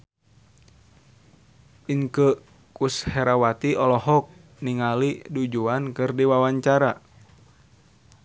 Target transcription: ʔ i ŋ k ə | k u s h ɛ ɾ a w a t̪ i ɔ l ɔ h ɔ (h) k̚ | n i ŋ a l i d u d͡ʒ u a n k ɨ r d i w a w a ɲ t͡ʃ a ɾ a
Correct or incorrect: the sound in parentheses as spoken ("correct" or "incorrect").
incorrect